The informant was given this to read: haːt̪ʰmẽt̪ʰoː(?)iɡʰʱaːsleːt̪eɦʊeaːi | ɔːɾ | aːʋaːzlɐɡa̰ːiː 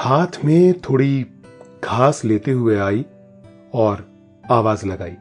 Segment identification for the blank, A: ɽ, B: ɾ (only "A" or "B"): A